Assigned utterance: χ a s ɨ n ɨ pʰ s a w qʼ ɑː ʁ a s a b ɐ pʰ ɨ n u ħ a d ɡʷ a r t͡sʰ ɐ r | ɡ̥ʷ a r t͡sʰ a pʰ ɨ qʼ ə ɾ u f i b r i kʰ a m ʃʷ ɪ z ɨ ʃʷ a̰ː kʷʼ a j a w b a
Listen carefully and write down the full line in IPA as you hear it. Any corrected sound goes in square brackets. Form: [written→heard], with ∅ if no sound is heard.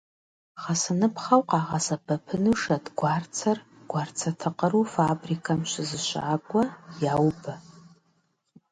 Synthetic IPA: χ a s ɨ n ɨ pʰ [s→χ] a w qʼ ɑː ʁ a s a b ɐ pʰ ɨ n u [ħ→ʂ] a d ɡʷ a r t͡sʰ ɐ r | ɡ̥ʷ a r t͡sʰ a [pʰ→tʰ] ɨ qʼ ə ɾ u f [i→a] b r i kʰ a m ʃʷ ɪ z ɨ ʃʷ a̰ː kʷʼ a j a w b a

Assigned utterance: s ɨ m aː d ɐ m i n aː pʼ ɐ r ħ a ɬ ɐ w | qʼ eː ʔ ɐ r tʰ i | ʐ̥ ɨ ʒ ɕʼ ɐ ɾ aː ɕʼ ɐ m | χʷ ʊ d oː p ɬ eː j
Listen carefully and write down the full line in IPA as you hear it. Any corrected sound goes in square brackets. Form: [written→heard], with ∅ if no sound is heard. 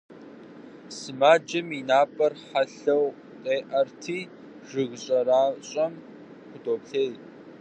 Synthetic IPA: s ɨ m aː [d→d͡ʒ] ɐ m i n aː pʼ ɐ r ħ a ɬ ɐ w | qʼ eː ʔ ɐ r tʰ [i→iː] | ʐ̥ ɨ [ʒ→ɣ] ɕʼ ɐ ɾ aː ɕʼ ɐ m | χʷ ʊ d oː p ɬ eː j

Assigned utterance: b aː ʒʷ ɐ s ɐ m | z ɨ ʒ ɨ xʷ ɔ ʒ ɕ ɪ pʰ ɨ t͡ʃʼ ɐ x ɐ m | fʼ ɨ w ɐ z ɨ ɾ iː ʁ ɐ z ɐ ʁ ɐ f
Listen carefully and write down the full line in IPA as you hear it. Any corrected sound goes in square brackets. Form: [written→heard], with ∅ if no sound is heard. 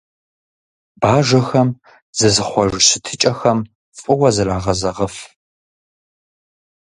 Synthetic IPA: b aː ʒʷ ɐ [s→x] ɐ m | z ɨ [ʒ→z] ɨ [xʷ→χʷ] ɔ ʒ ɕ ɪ [pʰ→tʰ] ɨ t͡ʃʼ ɐ x ɐ m | fʼ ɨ w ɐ z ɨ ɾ [iː→aː] ʁ ɐ z ɐ ʁ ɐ f

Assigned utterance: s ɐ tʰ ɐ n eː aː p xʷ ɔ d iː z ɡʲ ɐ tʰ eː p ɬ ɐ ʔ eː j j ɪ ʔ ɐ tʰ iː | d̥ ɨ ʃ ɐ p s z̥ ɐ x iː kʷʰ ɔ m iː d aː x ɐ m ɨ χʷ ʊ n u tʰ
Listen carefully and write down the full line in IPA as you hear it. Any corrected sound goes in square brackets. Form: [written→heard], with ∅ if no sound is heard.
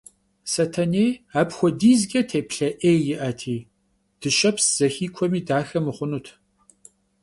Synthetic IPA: s ɐ tʰ ɐ n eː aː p xʷ ɔ d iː z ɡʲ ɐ tʰ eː p ɬ ɐ ʔ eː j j ɪ ʔ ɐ tʰ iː | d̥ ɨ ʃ ɐ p s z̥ ɐ x iː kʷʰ ɔ m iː d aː x ɐ m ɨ χʷ ʊ n u tʰ

